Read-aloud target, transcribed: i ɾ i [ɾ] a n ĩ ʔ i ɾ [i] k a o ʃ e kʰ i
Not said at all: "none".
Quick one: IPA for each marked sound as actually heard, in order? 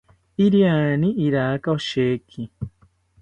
none, a

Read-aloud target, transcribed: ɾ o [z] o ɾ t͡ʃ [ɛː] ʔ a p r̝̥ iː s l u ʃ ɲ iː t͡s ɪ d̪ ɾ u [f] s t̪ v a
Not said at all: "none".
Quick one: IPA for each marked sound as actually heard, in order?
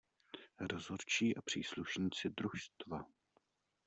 z, iː, ʃ

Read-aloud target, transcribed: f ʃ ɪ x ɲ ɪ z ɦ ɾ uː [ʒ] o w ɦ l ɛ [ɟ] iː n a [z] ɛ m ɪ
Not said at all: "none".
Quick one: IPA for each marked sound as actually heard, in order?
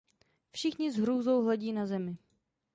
z, ɟ, z

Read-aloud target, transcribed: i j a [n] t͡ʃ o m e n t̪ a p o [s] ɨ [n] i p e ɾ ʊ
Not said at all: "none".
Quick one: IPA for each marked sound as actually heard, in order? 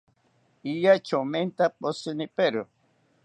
none, s, n

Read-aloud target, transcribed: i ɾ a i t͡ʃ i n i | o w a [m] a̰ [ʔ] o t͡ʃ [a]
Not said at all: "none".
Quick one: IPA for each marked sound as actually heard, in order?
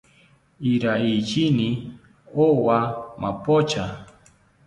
m, p, a

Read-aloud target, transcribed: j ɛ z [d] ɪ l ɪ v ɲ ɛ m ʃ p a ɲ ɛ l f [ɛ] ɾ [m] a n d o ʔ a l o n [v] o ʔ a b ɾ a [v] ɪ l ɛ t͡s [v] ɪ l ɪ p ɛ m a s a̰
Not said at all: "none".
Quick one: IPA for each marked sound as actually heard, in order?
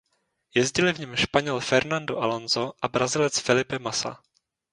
ɟ, ɛ, n, z, z, f

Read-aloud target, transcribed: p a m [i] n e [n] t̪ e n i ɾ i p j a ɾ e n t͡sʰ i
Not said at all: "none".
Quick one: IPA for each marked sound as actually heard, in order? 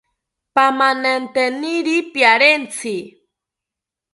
a, n

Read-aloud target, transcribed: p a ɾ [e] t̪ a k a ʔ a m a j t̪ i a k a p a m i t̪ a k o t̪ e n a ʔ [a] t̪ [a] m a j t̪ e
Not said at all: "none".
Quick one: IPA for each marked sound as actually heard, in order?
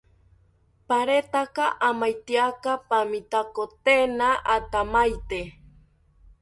e, a, a

